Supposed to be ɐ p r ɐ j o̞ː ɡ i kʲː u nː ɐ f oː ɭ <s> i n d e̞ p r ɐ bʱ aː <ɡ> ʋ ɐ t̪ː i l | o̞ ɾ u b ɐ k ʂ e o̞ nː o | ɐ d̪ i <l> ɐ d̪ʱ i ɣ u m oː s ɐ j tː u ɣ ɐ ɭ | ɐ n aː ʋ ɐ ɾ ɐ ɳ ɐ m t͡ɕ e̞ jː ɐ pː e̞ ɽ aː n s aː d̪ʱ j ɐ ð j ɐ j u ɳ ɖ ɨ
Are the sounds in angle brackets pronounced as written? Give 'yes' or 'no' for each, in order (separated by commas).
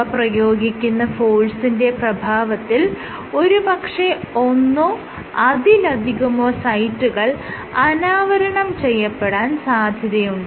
yes, no, yes